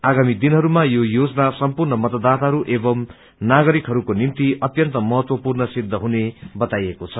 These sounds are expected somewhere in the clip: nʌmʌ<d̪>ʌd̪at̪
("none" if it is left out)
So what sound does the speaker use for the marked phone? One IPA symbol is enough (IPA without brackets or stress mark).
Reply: t̪